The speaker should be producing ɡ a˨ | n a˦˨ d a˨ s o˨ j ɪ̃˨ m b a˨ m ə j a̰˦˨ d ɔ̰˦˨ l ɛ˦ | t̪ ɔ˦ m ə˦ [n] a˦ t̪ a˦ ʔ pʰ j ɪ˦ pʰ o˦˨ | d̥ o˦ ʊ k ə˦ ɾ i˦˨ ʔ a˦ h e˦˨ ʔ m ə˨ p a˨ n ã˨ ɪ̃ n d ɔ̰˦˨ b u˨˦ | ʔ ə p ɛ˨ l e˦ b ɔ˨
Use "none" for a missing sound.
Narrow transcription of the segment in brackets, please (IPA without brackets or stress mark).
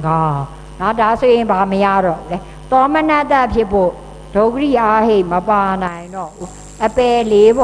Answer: n